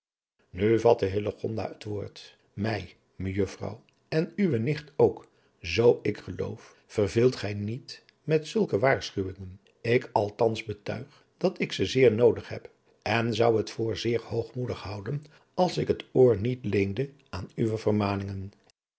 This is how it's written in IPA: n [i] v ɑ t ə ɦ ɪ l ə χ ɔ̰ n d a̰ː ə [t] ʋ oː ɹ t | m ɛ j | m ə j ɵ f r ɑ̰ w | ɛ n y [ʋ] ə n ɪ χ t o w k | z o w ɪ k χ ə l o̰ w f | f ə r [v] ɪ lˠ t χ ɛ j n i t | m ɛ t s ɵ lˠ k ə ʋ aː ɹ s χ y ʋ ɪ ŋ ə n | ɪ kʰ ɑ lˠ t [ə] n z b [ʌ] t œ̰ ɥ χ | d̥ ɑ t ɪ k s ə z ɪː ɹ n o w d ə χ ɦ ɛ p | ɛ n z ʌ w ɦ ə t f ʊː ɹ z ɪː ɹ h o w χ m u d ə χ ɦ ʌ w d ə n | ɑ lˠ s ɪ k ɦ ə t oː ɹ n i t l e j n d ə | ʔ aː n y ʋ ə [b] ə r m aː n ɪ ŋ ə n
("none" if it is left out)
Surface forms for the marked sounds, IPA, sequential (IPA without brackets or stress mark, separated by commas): y, t, ʋ, v, ɑ, ə, v